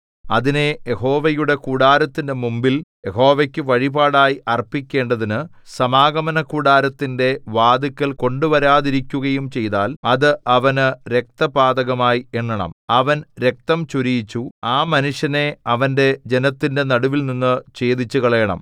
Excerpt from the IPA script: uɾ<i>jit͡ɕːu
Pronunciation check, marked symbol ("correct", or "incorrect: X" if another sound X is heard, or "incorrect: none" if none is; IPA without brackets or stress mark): correct